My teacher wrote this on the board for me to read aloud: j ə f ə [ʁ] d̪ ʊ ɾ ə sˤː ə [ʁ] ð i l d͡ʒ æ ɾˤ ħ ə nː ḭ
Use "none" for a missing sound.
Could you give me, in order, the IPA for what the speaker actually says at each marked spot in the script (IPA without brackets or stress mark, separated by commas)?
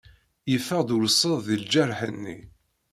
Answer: ʁ, ð